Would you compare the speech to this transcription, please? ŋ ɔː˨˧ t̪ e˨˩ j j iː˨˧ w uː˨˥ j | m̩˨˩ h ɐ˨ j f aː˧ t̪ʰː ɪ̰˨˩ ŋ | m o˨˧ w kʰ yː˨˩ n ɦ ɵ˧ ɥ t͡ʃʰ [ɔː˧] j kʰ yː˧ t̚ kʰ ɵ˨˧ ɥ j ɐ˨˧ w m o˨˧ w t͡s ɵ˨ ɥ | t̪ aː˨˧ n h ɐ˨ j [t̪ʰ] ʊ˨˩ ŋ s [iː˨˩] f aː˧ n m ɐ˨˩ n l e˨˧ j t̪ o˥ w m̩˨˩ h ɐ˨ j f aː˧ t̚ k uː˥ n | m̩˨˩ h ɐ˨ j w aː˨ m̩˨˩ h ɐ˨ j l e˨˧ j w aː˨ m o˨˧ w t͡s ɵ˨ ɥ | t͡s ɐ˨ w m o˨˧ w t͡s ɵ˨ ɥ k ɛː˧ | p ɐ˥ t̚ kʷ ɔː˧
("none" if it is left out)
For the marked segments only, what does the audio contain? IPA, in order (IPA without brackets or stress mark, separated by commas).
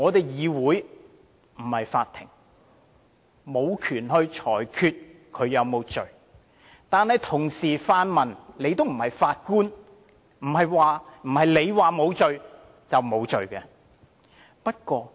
ɔː˨˩, t̪ʰ, iː˨˩